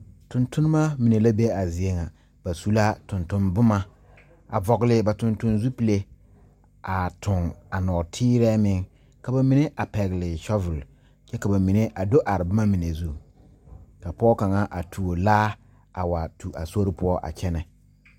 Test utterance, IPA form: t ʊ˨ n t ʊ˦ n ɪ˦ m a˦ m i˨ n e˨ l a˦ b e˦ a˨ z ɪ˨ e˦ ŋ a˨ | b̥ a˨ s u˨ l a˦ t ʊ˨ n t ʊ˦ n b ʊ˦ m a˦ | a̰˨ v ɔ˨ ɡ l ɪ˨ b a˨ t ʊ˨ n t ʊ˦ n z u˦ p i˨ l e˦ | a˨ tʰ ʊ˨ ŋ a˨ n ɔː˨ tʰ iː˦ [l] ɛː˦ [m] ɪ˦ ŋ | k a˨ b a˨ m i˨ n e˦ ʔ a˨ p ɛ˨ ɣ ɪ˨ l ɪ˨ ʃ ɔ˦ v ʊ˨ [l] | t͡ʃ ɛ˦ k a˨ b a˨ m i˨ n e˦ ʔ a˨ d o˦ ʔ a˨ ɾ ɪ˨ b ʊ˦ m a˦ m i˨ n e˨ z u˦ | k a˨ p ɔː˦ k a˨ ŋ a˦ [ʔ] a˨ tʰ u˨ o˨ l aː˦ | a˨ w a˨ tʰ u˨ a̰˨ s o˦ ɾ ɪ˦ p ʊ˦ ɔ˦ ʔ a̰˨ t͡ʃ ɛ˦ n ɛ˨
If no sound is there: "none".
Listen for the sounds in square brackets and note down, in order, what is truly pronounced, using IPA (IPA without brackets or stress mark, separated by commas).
ɾ, m, l, ʔ